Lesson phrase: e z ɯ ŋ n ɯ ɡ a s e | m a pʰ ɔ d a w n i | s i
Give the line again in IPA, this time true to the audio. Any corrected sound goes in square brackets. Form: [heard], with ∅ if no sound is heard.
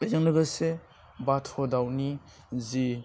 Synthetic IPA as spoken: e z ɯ ŋ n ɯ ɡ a s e | [b] a [tʰ] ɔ d a w n i | [z] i